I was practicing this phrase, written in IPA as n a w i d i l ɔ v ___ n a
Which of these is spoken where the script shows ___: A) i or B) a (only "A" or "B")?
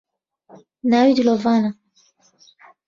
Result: B